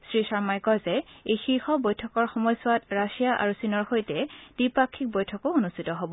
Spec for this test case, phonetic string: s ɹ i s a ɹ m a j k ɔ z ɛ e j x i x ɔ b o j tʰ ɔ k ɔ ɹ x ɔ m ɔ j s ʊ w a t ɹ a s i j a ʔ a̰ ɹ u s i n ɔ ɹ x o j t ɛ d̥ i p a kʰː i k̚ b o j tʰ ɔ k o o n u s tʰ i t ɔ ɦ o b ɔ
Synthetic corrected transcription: s ɹ i s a ɹ m a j k ɔ z ɛ e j x i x ɔ b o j tʰ ɔ k ɔ ɹ x ɔ m ɔ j s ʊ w a t ɹ a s i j a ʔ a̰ ɹ u s i n ɔ ɹ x o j t ɛ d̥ i p a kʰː i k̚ b o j tʰ ɔ k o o n u s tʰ i t ɔ ɦ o b ɔ